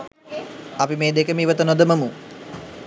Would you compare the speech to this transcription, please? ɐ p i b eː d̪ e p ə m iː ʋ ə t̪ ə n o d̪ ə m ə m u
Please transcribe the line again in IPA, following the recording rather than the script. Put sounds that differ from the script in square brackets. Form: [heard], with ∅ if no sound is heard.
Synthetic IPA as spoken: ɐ p i [m] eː d̪ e [k] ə m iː ʋ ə t̪ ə n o d̪ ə m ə m u